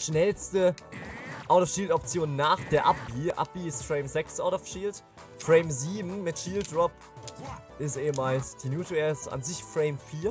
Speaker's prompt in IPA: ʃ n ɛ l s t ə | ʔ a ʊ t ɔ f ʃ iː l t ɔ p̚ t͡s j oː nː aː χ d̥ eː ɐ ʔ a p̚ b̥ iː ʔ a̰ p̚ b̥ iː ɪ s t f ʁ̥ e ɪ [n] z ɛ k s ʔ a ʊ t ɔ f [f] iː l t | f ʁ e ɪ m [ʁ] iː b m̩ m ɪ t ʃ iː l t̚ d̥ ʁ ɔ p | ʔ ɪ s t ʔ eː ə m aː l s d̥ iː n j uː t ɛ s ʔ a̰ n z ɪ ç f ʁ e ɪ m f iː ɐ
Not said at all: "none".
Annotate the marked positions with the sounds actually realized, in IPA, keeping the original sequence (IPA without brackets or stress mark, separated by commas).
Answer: m, ʃ, z